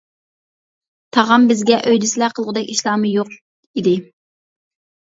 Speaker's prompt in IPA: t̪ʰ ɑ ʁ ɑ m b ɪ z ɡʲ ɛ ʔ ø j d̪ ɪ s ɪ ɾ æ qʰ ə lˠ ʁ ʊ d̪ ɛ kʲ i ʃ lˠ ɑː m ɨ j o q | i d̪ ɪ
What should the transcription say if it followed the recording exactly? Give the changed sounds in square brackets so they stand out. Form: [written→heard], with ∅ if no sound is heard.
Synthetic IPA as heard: t̪ʰ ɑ ʁ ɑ m b ɪ z ɡʲ ɛ ʔ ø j d̪ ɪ s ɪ [ɾ→l] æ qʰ ə lˠ ʁ ʊ d̪ ɛ kʲ i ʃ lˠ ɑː m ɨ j o q | i d̪ ɪ